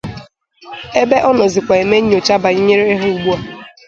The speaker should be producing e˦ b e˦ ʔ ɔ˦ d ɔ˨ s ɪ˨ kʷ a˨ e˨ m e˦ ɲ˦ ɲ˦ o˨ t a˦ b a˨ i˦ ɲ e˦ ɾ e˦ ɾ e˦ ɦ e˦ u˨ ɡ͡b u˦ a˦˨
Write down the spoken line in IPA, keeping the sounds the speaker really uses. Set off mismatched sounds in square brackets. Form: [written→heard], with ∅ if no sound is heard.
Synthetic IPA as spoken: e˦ b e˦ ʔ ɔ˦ [d→n] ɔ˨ [s→z] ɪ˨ kʷ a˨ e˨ m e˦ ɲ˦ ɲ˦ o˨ [t→t͡ʃ] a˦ b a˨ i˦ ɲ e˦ ɾ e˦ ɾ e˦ ɦ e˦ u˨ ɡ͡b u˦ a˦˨